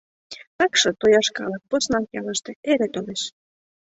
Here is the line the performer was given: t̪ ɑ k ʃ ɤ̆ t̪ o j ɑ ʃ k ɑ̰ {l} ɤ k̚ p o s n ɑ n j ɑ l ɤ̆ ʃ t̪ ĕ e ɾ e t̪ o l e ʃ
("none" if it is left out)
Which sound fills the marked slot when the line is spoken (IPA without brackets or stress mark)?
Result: l